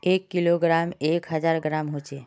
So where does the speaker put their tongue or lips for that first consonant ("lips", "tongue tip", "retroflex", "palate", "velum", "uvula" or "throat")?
velum